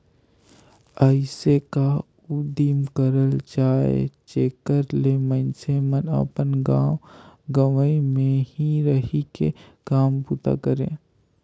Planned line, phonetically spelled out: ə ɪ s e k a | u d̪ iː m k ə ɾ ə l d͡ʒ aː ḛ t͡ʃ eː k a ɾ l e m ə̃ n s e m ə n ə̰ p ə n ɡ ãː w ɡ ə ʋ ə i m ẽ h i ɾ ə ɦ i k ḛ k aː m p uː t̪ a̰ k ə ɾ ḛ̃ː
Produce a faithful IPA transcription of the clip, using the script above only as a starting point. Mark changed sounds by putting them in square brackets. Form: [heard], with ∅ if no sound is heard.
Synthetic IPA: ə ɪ s e k a | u d̪ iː m k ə ɾ ə l d͡ʒ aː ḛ t͡ʃ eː k [ə] ɾ l e m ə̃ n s e m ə n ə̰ p ə n ɡ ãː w ɡ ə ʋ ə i m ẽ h i ɾ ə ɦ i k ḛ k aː m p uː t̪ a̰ k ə ɾ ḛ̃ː